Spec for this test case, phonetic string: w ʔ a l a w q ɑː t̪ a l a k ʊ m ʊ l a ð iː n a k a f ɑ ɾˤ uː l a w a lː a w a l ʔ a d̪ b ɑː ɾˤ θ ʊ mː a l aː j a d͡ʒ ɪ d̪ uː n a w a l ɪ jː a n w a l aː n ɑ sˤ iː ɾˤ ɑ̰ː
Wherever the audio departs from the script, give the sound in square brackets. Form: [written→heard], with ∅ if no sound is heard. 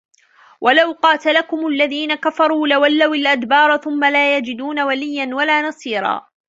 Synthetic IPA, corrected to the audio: w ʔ a l a w q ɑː t̪ a l a k ʊ m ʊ [l→lː] a ð iː n a k a f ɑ ɾˤ uː l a w a lː a w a l ʔ a d̪ b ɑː ɾˤ θ ʊ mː a l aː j a d͡ʒ ɪ d̪ uː n a w a l ɪ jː a n w a l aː n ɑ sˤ iː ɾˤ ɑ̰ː